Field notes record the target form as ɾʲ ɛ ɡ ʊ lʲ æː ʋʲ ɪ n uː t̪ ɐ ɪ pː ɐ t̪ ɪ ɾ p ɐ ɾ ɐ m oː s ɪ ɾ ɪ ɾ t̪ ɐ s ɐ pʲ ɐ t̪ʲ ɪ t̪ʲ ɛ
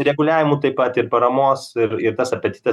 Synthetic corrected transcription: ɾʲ ɛ ɡ ʊ lʲ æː ʋʲ ɪ m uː t̪ ɐ ɪ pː ɐ t̪ ɪ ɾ p ɐ ɾ ɐ m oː s ɪ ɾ ɪ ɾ t̪ ɐ s ɐ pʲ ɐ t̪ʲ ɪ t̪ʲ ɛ